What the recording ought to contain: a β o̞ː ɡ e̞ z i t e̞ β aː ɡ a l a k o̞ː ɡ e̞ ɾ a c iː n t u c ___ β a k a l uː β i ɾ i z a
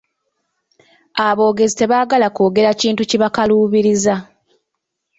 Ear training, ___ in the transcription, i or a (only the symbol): i